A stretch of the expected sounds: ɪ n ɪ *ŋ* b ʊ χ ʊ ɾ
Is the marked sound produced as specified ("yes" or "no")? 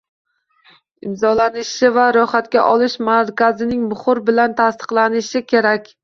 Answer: yes